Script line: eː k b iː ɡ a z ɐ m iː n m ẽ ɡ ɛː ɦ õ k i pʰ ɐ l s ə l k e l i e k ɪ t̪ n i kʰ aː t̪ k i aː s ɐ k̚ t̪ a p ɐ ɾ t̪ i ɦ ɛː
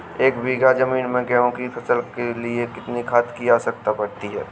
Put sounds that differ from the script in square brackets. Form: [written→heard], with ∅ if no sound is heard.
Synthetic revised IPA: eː k b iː ɡ a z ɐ m iː n m ẽ ɡ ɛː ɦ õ k i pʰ ɐ [l→∅] s ə l k e l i e k ɪ t̪ n i kʰ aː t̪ k i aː s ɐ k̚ t̪ a p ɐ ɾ t̪ i ɦ ɛː